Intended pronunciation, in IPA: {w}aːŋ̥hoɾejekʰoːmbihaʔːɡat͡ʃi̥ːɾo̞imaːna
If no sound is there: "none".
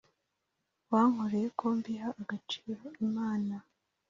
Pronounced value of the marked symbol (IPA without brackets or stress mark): w